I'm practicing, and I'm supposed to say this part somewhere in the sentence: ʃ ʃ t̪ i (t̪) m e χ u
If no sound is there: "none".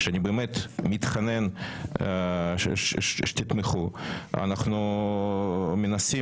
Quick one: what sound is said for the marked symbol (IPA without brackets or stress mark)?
t̪